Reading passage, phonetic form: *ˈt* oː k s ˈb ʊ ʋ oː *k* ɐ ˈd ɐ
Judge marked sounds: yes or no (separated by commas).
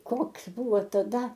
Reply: no, no